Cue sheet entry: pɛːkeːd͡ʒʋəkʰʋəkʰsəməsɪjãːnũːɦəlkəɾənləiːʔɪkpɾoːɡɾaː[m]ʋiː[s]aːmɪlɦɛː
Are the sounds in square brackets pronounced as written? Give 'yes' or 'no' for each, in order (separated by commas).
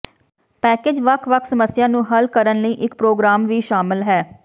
yes, no